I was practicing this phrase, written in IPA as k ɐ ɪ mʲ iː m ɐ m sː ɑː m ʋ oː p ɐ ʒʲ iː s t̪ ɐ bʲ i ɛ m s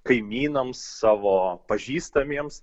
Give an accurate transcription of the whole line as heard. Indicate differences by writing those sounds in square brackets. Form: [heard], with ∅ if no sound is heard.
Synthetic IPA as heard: k ɐ ɪ mʲ iː [n] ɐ m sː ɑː [∅] ʋ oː p ɐ ʒʲ iː s t̪ ɐ [mʲ] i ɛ m s